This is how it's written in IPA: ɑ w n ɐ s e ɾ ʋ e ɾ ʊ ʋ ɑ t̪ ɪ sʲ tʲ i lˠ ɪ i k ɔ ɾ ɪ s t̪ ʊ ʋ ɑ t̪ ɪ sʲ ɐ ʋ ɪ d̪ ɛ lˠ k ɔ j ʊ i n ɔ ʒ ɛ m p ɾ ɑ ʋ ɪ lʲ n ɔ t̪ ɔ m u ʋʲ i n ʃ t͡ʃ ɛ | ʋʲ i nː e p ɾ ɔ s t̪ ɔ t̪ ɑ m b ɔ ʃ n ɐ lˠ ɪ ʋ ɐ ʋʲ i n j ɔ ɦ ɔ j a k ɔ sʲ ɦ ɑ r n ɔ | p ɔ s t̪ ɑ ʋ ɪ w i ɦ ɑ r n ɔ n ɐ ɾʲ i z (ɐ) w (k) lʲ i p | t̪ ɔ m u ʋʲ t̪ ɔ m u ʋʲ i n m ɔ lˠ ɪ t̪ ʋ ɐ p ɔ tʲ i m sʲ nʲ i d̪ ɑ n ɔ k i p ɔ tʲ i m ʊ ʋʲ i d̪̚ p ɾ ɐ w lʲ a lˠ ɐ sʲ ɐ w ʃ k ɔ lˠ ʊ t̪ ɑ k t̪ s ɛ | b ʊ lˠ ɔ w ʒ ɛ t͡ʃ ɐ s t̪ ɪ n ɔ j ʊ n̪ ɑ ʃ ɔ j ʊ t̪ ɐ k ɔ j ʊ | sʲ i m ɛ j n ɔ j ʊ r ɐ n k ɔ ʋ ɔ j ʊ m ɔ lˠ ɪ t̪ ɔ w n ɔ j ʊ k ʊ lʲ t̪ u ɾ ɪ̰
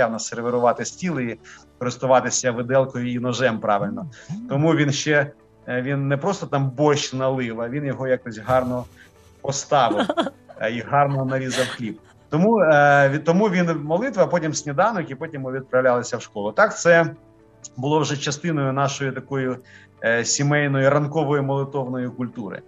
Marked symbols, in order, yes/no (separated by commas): yes, no